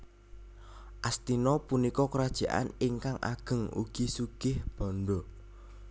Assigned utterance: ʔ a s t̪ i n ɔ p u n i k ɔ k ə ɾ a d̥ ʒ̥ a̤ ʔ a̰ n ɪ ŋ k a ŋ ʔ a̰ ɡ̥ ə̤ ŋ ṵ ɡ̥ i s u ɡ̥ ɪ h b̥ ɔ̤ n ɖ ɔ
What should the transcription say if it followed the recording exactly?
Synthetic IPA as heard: ʔ a s t̪ i n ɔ p u n i k ɔ k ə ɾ a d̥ ʒ̥ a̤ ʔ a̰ n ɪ ŋ k a ŋ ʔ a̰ ɡ̥ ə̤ ŋ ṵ ɡ̥ i s u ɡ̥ ɪ h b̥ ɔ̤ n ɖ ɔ